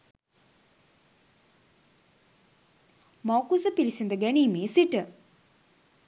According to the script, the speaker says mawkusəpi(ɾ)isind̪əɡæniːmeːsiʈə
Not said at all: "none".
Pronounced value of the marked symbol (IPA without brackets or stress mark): l